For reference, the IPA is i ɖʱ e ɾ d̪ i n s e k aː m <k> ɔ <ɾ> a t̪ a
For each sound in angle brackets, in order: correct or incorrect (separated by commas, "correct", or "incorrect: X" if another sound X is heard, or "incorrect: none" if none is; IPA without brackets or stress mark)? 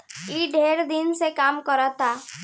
correct, correct